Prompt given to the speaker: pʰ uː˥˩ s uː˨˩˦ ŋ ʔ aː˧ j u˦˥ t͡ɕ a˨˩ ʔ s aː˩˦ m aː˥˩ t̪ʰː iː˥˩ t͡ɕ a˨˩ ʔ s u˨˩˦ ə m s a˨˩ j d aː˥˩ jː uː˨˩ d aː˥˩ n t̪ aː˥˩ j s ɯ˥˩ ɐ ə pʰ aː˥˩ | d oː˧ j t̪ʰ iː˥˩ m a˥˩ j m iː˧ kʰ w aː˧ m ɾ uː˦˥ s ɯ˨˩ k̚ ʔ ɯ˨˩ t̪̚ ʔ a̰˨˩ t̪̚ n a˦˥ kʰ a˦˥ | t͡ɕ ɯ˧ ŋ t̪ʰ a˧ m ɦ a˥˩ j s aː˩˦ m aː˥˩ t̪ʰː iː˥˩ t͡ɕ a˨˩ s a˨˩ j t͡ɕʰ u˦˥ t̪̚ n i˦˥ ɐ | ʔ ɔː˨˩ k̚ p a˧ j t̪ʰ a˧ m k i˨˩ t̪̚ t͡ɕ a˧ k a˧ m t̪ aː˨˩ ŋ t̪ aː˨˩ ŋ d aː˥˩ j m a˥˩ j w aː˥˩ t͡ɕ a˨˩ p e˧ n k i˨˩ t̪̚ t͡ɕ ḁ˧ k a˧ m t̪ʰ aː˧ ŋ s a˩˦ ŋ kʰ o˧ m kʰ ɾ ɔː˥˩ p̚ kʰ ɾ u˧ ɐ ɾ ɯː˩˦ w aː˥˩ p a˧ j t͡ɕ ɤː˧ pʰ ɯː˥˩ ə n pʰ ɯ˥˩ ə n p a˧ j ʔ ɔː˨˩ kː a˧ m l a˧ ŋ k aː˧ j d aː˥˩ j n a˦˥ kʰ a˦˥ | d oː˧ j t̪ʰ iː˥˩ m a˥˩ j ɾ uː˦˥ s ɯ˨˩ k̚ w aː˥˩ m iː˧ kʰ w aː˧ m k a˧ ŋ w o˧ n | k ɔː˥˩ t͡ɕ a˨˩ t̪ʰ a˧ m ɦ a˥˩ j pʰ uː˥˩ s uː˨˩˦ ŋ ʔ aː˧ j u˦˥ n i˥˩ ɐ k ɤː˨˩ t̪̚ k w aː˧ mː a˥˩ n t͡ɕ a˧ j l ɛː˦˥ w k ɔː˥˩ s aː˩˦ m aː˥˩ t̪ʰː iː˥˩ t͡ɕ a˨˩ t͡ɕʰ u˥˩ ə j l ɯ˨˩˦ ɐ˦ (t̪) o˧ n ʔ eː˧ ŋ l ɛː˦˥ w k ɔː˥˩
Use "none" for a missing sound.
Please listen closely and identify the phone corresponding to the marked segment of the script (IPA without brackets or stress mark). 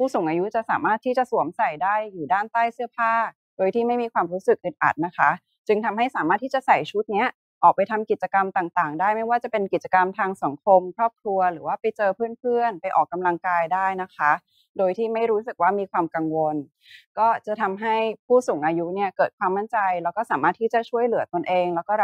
t̪